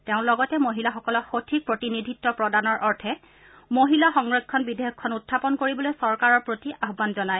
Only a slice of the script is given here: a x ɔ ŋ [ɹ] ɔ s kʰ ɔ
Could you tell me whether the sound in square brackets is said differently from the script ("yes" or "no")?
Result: no